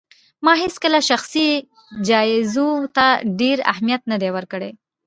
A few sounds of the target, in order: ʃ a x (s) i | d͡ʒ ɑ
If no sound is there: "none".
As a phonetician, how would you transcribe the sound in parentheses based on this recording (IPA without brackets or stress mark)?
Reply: s